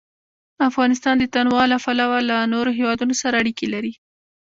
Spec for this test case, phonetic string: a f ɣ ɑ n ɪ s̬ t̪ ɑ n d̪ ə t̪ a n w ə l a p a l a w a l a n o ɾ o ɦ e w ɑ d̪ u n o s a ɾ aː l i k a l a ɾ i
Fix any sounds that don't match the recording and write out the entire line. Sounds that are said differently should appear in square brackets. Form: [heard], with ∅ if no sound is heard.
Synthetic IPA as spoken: a f ɣ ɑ n ɪ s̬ t̪ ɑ n d̪ ə t̪ a n w [ɑ] l a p a l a w a l a n o ɾ o ɦ e w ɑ d̪ u n o s a ɾ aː [ɽ] i k [e] l a ɾ i